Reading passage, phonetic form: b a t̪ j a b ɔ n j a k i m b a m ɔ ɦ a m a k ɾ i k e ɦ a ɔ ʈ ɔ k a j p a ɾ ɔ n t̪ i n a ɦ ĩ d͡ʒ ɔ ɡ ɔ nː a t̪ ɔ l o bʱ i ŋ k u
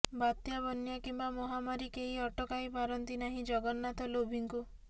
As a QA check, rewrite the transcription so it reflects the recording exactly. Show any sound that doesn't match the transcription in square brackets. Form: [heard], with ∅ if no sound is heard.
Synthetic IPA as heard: b a t̪ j a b ɔ n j a k i m b a m ɔ ɦ a m a [∅] ɾ i k e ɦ [i] ɔ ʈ ɔ k a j p a ɾ ɔ n t̪ i n a ɦ ĩ d͡ʒ ɔ ɡ ɔ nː a t̪ ɔ l o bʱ i ŋ k u